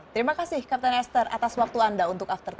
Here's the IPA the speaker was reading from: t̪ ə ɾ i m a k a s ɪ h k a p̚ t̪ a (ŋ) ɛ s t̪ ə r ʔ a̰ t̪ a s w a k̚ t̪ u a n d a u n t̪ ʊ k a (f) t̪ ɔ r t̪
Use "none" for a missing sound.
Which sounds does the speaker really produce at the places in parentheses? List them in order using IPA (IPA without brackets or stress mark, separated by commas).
n, f